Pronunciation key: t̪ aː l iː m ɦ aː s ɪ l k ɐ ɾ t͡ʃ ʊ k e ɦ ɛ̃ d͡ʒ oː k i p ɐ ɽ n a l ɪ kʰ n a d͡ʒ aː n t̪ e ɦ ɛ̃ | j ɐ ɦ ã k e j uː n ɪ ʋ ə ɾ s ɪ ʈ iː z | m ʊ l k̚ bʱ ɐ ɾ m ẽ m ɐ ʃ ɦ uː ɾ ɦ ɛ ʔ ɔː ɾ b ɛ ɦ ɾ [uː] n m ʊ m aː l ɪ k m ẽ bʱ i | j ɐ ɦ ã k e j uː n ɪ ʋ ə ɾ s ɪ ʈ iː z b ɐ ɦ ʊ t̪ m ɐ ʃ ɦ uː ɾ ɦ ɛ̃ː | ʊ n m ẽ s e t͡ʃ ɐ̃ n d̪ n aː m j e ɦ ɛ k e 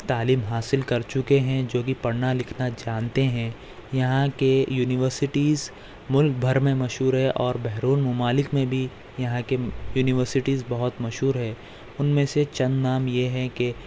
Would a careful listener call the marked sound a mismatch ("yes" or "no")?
no